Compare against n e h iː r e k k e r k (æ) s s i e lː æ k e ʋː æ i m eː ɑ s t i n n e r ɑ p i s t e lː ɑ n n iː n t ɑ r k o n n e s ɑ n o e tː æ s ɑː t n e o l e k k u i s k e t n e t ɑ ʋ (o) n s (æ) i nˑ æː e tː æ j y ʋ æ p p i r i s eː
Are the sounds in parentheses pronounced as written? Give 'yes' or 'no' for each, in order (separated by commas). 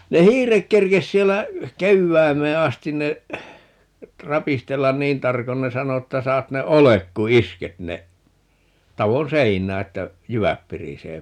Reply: no, yes, no